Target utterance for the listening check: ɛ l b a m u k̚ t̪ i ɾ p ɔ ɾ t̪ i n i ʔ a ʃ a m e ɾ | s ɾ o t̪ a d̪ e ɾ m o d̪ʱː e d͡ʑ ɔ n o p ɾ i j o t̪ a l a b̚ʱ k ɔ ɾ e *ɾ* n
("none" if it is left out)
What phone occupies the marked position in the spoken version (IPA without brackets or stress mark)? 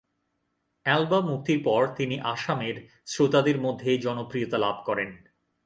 none